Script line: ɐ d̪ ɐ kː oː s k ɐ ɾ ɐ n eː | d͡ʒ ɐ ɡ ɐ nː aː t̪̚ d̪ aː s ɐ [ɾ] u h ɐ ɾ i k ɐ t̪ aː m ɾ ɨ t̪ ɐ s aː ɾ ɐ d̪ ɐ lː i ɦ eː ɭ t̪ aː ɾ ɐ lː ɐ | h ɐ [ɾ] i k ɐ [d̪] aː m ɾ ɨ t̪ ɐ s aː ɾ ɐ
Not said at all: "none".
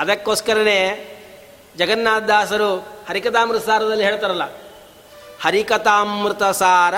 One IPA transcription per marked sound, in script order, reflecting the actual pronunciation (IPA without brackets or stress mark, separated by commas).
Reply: ɾ, ɾ, t̪